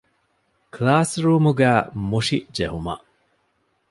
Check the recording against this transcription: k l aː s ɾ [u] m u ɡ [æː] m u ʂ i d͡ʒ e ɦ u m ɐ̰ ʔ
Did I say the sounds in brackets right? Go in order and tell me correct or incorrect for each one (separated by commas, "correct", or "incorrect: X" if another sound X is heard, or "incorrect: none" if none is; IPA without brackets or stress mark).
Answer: incorrect: uː, correct